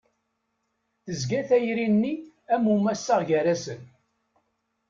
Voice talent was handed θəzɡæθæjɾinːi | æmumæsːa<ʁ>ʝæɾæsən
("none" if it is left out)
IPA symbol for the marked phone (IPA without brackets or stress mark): ʁ